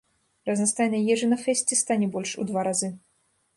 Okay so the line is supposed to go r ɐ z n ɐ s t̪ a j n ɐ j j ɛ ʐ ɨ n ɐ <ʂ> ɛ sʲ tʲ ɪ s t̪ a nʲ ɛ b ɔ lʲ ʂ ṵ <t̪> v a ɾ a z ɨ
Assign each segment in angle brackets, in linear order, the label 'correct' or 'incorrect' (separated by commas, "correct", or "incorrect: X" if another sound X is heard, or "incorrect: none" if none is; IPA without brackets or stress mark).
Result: incorrect: f, incorrect: d̪